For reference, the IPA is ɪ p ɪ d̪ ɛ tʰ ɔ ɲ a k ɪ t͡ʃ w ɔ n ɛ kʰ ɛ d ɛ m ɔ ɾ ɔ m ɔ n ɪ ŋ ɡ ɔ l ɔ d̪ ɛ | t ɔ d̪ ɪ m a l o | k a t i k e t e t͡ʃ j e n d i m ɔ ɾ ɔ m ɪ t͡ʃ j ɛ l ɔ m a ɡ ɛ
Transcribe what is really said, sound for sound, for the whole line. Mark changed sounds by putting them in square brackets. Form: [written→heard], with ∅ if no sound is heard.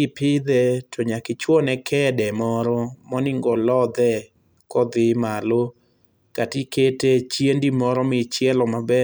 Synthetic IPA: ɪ p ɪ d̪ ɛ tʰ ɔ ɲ a k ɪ t͡ʃ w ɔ n ɛ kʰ ɛ d ɛ m ɔ ɾ ɔ m ɔ n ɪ ŋ ɡ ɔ l ɔ d̪ ɛ | [t→k] ɔ d̪ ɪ m a l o | k a t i k e t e t͡ʃ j e n d i m ɔ ɾ ɔ m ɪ t͡ʃ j ɛ l ɔ m a [ɡ→b] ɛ